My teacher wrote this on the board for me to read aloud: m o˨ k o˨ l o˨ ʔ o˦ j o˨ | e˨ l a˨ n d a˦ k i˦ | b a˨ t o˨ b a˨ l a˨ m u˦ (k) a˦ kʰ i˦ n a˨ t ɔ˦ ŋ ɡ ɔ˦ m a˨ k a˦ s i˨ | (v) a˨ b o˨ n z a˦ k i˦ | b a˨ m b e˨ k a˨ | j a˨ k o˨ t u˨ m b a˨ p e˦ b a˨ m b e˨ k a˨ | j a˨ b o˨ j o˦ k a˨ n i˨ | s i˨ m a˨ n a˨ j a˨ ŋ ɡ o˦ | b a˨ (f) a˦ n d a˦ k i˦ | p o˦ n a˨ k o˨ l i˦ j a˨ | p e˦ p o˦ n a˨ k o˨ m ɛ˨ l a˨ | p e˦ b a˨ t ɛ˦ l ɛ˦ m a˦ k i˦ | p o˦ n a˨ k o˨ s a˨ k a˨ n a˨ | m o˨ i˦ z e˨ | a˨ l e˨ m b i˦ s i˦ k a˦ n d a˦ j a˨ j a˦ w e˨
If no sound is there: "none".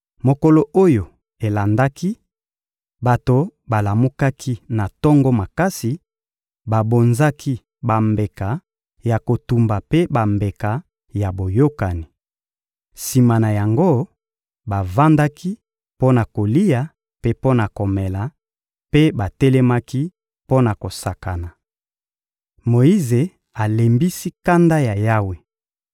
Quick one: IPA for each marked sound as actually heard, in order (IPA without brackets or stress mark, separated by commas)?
k, b, v